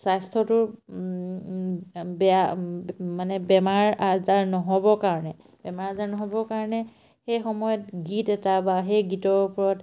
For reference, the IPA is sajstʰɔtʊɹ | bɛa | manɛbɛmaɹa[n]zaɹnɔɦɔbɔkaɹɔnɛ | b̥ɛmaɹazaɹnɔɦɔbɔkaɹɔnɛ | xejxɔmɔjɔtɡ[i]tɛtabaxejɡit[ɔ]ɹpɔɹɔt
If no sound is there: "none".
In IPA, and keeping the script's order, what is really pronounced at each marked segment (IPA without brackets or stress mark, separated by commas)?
none, i, ɔ